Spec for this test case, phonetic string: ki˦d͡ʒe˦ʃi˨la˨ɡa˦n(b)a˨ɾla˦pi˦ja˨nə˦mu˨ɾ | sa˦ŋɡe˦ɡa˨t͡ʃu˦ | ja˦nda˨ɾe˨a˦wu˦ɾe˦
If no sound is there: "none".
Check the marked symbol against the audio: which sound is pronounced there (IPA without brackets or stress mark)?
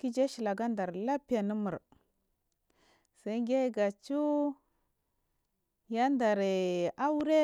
d